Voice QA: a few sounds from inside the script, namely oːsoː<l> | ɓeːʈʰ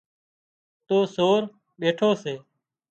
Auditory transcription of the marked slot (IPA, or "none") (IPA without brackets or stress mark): ɾ